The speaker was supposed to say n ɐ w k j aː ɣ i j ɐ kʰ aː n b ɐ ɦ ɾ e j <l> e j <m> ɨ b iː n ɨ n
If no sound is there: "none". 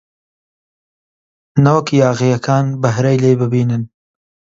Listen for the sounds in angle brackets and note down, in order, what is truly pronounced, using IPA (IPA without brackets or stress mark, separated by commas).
l, b